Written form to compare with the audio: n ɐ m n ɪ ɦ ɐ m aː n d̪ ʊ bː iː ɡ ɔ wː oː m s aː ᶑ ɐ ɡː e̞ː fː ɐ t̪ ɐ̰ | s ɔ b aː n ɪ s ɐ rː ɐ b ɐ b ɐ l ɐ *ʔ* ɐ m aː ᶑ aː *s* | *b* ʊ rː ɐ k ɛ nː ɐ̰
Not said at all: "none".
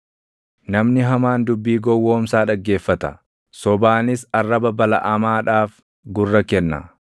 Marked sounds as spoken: ʔ, f, ɡ

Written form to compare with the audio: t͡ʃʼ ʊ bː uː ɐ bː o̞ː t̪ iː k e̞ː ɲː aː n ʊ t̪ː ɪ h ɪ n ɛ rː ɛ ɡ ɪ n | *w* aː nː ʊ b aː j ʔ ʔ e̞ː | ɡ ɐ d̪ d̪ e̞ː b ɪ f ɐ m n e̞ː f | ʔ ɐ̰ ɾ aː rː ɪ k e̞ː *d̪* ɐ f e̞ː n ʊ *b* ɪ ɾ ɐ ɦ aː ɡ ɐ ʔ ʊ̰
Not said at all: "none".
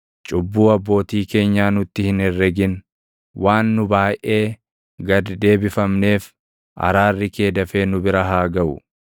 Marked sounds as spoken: w, d̪, b

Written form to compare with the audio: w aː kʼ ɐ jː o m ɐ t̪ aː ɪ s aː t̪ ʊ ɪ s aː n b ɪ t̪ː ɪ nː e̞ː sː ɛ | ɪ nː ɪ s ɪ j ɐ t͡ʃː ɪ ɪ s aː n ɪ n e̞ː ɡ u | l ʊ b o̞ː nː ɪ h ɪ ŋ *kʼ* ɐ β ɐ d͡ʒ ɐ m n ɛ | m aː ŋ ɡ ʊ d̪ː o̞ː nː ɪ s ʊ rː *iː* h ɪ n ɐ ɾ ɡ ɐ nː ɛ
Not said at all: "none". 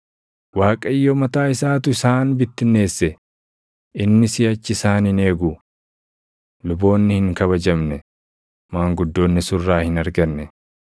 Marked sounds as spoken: k, aː

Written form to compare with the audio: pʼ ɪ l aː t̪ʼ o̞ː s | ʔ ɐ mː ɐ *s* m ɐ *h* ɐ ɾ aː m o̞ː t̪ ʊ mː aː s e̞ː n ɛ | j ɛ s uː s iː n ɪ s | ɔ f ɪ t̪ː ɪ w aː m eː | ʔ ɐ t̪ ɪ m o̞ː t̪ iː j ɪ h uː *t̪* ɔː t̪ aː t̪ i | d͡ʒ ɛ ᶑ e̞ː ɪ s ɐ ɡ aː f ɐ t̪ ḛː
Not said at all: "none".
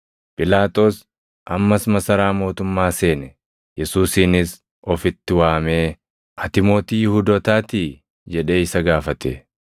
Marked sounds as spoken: s, s, d̪

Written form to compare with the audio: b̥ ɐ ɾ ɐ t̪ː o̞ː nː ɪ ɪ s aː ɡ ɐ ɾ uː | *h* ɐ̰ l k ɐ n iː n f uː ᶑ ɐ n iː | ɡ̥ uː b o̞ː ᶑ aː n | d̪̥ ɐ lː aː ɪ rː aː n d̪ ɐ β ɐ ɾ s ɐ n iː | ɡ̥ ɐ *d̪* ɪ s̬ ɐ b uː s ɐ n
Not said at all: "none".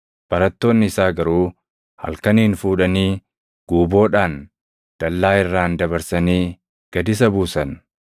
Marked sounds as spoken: h, d̪

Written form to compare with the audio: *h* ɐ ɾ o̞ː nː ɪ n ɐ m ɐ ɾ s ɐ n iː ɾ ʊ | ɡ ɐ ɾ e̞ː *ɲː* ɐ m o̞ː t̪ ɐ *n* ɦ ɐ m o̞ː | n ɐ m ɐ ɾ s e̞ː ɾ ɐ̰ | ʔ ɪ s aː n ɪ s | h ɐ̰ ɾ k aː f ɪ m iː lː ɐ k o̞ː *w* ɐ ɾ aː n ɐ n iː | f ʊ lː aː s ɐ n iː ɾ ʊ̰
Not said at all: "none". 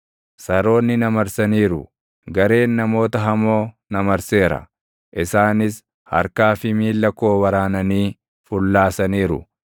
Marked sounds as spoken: s, nː, none, w

